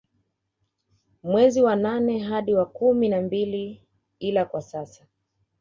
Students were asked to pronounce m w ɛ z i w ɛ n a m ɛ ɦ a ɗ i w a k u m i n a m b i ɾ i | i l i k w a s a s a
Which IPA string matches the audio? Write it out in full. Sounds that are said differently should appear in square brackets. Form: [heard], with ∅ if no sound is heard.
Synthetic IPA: m w ɛ z i w [a] n a [n] ɛ ɦ a ɗ i w a k u m i n a m b i [l] i | i l [a] k w a s a s a